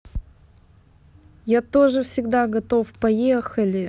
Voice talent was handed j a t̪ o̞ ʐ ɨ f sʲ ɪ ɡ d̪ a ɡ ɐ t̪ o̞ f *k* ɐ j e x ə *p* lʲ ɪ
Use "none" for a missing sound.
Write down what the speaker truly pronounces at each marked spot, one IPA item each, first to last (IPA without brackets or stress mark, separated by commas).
p, none